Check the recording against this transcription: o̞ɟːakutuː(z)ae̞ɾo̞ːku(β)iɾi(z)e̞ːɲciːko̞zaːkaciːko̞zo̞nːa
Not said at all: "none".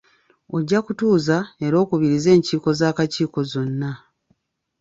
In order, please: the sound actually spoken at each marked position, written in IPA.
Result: z, β, z

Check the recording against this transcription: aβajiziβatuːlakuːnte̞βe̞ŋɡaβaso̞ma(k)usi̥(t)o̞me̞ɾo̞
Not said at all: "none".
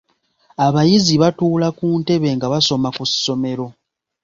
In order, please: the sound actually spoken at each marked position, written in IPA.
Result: k, s

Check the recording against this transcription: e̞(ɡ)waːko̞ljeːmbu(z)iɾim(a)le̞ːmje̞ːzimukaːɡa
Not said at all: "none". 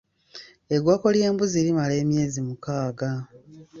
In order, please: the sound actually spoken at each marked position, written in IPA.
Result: ɡ, z, a

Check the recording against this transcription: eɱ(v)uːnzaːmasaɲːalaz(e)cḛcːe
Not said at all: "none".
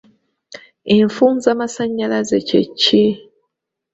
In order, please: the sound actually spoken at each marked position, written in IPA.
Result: f, e

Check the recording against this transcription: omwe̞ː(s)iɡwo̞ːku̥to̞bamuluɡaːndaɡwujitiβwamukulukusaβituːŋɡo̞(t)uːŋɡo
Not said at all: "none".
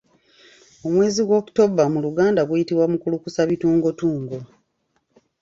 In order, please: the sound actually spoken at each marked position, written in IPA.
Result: z, t

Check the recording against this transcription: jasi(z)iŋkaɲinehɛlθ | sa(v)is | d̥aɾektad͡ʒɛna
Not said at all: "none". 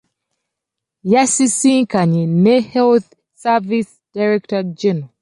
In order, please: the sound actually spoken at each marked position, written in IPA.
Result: s, v

